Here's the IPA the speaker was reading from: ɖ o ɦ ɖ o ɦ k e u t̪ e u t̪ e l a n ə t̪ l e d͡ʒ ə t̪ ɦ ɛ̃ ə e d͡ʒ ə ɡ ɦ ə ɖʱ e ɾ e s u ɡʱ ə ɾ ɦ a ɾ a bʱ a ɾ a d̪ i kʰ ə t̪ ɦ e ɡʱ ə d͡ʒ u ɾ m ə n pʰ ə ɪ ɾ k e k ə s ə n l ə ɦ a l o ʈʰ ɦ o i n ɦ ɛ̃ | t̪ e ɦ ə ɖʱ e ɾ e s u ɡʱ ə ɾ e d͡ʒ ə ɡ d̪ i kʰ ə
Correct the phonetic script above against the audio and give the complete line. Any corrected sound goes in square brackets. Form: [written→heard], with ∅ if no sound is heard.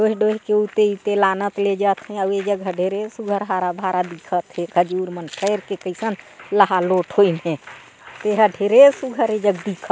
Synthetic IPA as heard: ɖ o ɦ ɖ o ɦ k e u t̪ e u t̪ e l a n ə t̪ l e d͡ʒ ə t̪ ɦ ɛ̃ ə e d͡ʒ ə ɡ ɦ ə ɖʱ e ɾ e s u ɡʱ ə ɾ ɦ a ɾ a bʱ a ɾ a d̪ i kʰ ə t̪ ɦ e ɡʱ ə d͡ʒ u ɾ m ə n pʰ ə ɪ ɾ k e k ə s ə n l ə ɦ a l o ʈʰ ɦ o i n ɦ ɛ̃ | t̪ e ɦ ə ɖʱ e ɾ e s u ɡʱ ə ɾ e d͡ʒ ə ɡ d̪ i kʰ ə